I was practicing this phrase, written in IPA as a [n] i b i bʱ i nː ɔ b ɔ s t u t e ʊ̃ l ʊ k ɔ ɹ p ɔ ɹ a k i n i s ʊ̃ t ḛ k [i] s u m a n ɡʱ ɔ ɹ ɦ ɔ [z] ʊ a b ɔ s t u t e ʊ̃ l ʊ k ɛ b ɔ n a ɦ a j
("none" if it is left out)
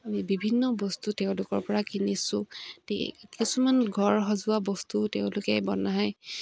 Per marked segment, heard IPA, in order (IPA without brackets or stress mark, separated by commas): m, i, z